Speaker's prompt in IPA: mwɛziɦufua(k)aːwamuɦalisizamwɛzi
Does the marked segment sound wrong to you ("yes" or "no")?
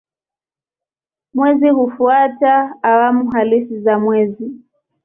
yes